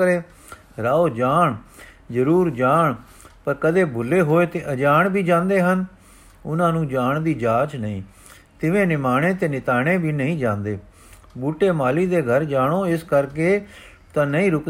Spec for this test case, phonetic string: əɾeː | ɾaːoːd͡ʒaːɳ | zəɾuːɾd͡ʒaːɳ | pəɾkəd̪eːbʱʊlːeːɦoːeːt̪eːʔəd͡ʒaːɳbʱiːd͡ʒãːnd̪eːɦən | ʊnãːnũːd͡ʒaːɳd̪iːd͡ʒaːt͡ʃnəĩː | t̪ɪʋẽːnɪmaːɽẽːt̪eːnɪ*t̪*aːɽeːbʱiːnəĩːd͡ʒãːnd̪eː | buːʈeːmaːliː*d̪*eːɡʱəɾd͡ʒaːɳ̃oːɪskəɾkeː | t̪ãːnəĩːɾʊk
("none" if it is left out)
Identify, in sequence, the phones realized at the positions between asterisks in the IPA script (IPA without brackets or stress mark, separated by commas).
t̪, d̪